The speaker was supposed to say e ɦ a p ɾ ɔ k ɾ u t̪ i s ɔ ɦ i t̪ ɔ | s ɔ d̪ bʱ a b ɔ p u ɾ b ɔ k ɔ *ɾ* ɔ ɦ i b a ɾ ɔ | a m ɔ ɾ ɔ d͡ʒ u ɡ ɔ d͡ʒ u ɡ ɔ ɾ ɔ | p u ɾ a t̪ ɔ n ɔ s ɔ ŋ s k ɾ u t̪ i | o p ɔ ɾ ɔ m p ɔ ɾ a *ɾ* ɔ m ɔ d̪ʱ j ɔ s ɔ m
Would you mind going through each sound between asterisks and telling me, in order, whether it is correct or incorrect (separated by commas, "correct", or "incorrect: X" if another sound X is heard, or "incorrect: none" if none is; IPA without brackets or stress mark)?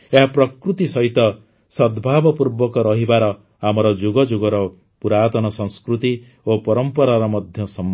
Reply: correct, correct